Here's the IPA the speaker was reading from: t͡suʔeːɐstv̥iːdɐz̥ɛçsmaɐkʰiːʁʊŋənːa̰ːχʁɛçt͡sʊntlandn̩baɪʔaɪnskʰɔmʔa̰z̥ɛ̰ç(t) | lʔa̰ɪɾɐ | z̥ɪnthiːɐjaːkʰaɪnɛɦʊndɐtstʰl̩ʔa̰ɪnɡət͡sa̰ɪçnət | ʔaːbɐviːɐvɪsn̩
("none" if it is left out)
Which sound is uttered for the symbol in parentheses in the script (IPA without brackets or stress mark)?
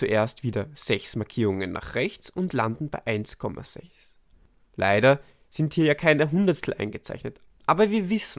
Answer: s